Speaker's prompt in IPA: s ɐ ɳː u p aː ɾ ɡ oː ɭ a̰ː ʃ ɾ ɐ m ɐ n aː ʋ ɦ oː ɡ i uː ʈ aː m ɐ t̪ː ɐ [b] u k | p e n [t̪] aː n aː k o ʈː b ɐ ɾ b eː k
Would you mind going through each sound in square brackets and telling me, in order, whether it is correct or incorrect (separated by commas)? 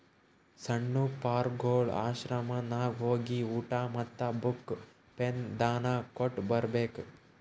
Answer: correct, incorrect